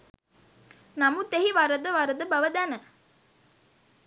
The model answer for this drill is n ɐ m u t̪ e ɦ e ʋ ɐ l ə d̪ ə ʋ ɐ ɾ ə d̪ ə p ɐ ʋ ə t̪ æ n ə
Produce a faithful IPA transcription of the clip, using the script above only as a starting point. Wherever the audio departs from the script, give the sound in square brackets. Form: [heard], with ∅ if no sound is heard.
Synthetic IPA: n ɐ m u t̪ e ɦ [i] ʋ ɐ [ɾ] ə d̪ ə ʋ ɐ ɾ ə d̪ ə [b] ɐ ʋ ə [d̪] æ n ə